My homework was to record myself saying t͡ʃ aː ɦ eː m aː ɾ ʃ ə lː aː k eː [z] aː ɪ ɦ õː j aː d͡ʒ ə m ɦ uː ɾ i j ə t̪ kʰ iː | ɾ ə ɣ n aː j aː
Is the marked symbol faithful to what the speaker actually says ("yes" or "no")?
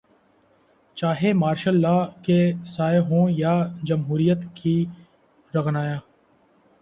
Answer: no